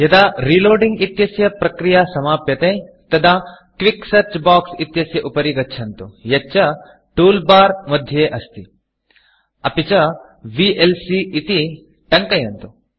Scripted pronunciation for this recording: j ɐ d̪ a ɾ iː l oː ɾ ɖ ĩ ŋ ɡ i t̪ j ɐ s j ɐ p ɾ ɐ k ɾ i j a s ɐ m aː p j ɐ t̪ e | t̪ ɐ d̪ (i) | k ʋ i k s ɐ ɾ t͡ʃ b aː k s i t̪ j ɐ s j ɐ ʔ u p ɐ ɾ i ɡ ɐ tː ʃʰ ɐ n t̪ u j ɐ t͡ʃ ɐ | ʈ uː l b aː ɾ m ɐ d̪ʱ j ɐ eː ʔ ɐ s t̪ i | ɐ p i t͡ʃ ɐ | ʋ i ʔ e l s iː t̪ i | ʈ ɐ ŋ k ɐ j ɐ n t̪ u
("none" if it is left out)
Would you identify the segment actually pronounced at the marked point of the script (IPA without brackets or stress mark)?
a